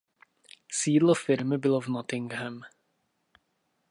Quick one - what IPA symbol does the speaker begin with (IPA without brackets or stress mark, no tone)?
s